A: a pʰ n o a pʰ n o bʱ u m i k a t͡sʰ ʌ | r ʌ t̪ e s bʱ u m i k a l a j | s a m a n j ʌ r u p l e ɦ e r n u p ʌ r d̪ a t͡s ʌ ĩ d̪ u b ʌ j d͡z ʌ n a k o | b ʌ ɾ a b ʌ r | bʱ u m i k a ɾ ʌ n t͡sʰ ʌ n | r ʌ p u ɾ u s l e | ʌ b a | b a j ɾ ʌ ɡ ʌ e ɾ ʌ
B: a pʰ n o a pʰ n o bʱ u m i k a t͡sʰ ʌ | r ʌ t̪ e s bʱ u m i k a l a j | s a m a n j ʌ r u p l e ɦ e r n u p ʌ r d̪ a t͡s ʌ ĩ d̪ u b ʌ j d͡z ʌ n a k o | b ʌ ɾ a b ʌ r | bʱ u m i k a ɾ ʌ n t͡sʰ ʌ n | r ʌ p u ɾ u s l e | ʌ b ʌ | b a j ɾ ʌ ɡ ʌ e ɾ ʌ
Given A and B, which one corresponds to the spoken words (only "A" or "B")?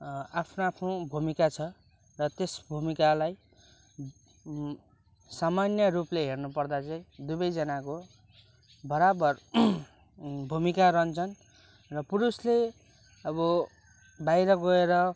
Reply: B